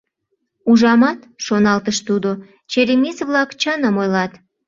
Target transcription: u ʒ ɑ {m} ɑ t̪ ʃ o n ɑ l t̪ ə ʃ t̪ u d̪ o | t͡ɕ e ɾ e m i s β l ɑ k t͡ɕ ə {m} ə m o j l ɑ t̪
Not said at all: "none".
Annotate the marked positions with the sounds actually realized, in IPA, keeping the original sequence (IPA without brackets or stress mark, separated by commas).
m, n